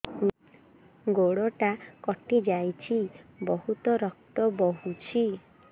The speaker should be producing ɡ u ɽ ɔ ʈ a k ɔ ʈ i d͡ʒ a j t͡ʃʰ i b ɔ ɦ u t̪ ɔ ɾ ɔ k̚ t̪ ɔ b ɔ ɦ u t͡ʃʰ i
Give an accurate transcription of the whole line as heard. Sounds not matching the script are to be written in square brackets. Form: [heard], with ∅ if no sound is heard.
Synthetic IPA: ɡ [o] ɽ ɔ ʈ a k ɔ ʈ i d͡ʒ a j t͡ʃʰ i b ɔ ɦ u t̪ ɔ ɾ ɔ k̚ t̪ ɔ b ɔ ɦ u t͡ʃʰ i